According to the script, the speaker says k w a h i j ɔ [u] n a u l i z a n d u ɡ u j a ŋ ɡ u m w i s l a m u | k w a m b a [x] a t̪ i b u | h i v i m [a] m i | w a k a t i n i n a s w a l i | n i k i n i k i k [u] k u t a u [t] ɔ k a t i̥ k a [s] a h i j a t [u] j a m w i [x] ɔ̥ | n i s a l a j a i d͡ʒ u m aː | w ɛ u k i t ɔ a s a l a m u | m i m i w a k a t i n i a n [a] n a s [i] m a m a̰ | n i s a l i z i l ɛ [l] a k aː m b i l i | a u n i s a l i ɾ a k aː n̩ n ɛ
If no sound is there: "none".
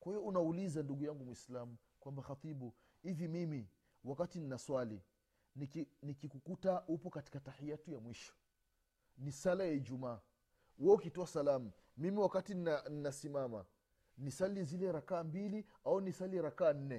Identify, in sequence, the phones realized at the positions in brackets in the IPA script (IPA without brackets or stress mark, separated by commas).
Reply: u, x, i, u, p, t, u, ʃ, i, i, ɾ